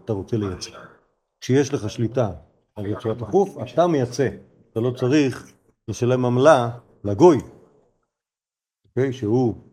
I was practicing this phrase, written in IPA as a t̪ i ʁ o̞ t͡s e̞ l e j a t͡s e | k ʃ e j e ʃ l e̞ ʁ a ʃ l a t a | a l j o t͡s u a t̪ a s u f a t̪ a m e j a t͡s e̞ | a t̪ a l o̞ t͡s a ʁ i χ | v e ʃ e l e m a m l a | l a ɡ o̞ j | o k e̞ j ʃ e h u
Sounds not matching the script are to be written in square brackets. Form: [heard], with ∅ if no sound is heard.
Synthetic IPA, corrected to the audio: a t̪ [a] ʁ o̞ t͡s e̞ l e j a t͡s e | k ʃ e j e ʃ l e̞ [χ] a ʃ l [i] t a | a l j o t͡s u a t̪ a [χ] u f a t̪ a m e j a t͡s e̞ | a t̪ a l o̞ t͡s a ʁ i χ | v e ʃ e l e m a m l a | l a ɡ o̞ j | o k e̞ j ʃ e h u